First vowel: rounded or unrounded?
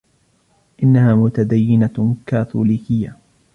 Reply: unrounded